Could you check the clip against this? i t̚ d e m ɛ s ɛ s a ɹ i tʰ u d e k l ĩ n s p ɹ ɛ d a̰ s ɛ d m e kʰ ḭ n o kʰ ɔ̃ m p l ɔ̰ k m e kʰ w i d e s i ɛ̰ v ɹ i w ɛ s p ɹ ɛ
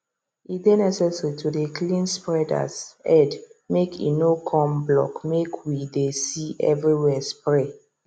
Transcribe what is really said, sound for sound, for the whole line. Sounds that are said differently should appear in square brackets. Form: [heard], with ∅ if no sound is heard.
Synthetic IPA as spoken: i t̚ d e [n] ɛ s ɛ s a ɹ i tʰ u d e k l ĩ n s p ɹ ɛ d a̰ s ɛ d m e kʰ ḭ n o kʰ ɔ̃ m [b] l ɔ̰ k m e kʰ w i d e s i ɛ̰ v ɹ i w ɛ s p ɹ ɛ